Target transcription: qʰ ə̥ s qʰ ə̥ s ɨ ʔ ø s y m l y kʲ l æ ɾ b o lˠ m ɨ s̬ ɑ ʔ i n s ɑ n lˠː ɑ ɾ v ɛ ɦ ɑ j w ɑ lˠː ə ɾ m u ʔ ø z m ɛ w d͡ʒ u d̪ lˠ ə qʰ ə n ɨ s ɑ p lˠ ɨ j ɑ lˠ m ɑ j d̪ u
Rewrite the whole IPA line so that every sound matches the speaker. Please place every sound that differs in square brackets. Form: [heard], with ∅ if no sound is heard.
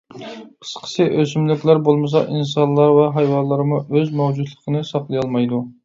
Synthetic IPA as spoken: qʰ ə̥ s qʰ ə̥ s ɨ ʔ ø s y m l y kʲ l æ ɾ b o lˠ m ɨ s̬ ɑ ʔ i n s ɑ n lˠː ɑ ɾ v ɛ ɦ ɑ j w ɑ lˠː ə ɾ m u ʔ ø z m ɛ w d͡ʒ u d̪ lˠ ə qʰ ə n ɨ s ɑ [q] lˠ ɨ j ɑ lˠ m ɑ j d̪ u